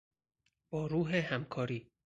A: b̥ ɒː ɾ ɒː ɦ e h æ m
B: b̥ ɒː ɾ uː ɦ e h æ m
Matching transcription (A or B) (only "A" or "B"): B